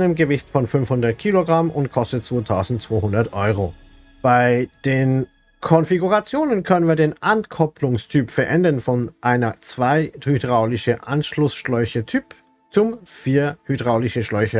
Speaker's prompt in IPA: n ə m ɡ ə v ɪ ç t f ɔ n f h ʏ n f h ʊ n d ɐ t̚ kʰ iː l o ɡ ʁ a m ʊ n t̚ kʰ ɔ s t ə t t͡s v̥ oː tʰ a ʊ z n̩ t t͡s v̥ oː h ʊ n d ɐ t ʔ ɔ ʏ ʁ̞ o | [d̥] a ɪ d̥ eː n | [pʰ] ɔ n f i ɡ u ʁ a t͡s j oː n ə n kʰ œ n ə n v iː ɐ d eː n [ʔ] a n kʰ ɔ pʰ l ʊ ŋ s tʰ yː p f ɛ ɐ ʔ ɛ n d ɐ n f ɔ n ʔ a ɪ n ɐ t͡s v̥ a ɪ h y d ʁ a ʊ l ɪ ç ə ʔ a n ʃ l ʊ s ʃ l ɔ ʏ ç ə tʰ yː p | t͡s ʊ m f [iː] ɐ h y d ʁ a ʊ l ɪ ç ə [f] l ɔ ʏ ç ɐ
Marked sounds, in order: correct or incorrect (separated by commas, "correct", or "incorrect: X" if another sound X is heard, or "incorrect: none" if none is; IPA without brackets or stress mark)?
incorrect: b̥, incorrect: kʰ, correct, correct, incorrect: ʃ